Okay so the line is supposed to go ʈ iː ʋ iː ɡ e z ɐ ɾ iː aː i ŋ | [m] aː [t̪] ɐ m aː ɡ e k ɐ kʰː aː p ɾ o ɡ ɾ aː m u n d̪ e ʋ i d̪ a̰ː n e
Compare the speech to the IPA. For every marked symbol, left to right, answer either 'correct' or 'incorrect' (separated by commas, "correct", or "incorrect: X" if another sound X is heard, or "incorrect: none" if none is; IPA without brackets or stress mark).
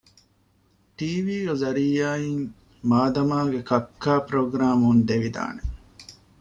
correct, incorrect: d̪